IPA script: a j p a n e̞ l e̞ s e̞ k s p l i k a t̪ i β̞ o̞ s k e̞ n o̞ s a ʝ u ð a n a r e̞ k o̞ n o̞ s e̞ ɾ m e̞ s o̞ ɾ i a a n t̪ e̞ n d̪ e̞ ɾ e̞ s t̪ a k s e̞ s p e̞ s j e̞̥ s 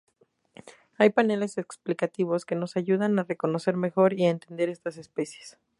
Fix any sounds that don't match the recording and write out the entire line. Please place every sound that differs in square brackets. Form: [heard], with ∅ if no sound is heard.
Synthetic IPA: a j p a n e̞ l e̞ s e̞ k s p l i k a t̪ i β̞ o̞ s k e̞ n o̞ s a ʝ u ð a n a r e̞ k o̞ n o̞ s e̞ ɾ m e̞ [x] o̞ ɾ i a [e] n t̪ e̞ n d̪ e̞ ɾ e̞ s t̪ a [∅] s e̞ s p e̞ s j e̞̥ s